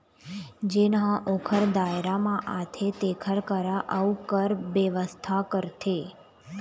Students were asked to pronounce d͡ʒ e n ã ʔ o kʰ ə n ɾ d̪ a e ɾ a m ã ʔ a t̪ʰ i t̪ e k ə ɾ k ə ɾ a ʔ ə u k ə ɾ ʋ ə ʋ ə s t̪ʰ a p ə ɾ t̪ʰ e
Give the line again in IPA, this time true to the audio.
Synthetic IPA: d͡ʒ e n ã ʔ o kʰ ə ɾ d̪ a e ɾ a m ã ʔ a t̪ʰ e t̪ e kʰ ə ɾ k ə ɾ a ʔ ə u k ə ɾ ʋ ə ʋ ə s t̪ʰ a k ə ɾ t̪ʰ e